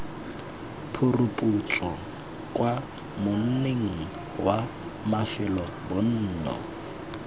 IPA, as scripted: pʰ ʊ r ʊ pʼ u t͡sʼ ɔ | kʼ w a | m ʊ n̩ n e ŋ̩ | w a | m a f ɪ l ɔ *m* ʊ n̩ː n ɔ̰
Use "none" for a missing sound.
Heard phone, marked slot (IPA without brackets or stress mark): b